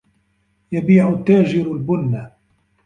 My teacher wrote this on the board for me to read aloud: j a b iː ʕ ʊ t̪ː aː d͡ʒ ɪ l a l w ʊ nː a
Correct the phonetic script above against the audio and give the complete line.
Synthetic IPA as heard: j a b iː ʕ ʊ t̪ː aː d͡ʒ ɪ ɾ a l b ʊ nː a